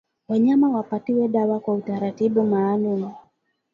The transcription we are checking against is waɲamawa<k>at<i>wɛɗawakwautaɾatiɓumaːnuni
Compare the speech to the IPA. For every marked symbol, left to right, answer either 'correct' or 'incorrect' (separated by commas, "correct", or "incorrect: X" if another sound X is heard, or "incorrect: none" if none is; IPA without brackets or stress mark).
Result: incorrect: p, correct